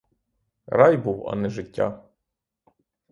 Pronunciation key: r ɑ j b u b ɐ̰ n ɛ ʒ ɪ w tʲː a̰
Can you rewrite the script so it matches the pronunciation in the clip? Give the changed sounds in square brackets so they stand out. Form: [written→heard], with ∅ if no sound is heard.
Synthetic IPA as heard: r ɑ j b u [b→w] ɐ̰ n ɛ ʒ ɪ [w→∅] tʲː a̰